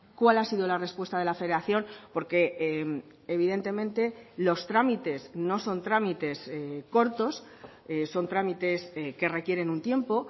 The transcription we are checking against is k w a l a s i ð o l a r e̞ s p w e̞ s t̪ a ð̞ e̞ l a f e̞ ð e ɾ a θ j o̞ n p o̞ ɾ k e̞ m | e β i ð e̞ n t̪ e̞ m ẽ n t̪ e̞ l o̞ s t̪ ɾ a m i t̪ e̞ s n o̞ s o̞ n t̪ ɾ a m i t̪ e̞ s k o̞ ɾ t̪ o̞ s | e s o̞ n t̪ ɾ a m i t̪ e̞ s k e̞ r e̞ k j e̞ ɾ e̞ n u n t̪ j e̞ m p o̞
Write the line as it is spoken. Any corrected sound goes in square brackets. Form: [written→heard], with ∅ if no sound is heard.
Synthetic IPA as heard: k w a l a s i ð o l a r e̞ s p w e̞ s t̪ a ð̞ e̞ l a f e̞ ð e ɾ a θ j o̞ n p o̞ ɾ k e̞ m | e β i ð e̞ n t̪ e̞ m ẽ n t̪ e̞ l o̞ s t̪ ɾ a m i t̪ e̞ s n o̞ s o̞ n t̪ ɾ a m i t̪ e̞ s k o̞ ɾ t̪ o̞ s | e s o̞ n t̪ ɾ a m i t̪ e̞ s k e̞ r e̞ k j e̞ ɾ e̞ n u n t̪ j e̞ m p o̞